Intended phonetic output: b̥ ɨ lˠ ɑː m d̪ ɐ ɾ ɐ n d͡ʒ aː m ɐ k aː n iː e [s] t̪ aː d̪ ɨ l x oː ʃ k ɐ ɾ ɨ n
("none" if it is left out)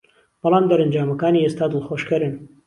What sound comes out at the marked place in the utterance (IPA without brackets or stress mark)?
s